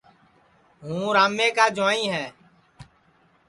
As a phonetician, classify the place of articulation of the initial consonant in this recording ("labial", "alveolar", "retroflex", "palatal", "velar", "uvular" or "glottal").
glottal